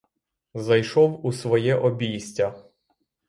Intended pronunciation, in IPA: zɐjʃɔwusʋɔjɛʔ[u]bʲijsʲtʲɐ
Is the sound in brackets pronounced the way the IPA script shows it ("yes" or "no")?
no